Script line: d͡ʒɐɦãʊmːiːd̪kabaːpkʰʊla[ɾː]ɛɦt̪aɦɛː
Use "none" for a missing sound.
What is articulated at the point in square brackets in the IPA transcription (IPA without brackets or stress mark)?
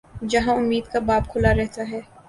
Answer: ɾ